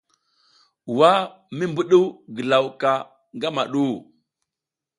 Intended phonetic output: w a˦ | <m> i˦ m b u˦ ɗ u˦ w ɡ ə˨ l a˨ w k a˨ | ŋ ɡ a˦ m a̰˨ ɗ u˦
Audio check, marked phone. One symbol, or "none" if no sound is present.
m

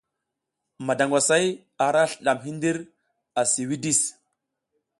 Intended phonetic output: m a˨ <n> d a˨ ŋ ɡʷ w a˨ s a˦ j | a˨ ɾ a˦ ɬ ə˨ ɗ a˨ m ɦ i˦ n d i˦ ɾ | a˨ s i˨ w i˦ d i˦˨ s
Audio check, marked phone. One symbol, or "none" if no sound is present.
none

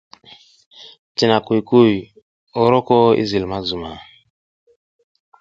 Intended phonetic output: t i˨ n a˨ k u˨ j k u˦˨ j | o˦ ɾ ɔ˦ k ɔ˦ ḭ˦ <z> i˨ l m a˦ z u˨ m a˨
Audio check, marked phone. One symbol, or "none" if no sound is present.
z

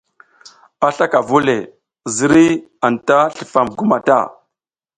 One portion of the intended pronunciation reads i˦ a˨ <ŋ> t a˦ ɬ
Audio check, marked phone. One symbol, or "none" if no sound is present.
n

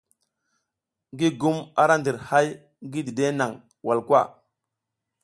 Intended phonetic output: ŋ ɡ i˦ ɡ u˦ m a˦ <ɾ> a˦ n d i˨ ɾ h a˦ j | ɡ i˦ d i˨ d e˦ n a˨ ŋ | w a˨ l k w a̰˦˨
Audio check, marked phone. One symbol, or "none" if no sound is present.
ɾ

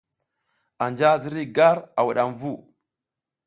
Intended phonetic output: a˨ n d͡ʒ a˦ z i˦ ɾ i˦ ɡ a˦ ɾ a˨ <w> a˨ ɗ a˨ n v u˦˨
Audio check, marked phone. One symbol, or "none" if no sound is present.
w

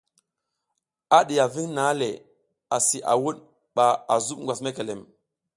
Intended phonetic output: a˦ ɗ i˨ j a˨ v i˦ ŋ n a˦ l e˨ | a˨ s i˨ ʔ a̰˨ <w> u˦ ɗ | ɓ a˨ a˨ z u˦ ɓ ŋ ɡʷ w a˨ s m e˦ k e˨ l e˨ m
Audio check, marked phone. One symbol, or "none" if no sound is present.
w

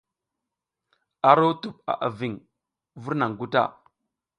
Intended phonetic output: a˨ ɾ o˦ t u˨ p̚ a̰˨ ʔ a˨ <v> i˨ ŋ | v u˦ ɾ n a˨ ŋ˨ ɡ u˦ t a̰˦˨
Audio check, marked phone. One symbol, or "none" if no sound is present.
v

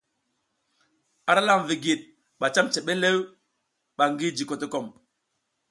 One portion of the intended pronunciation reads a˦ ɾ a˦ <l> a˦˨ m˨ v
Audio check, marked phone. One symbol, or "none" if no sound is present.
l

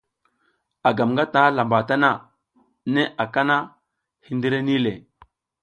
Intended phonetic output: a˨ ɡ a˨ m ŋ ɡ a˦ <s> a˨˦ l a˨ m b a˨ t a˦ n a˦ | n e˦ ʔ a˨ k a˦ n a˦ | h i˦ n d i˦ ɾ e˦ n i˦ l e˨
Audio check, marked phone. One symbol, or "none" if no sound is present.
t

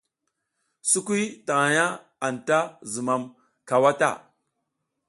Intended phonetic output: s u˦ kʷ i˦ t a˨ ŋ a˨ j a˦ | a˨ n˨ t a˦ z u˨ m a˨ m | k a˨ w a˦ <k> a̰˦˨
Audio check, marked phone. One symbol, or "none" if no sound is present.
t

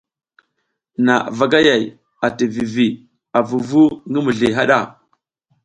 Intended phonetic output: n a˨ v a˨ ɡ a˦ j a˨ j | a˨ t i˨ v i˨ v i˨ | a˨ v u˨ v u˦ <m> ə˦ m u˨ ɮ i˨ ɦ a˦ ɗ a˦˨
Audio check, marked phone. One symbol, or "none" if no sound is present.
ŋ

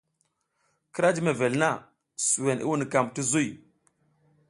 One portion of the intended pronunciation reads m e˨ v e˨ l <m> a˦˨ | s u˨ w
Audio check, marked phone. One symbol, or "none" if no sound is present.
n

